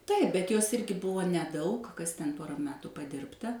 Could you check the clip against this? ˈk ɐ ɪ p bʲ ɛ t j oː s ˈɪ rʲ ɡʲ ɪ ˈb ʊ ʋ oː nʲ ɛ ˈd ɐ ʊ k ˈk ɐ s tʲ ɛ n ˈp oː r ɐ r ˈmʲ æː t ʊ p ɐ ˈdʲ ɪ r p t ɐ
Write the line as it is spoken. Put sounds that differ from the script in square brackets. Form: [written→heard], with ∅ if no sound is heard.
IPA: [ˈk→ˈt] ɐ ɪ p bʲ ɛ t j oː s ˈɪ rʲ ɡʲ ɪ ˈb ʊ ʋ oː nʲ ɛ ˈd ɐ ʊ k ˈk ɐ s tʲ ɛ n ˈp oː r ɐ [r→∅] ˈmʲ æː t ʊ p ɐ ˈdʲ ɪ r p t ɐ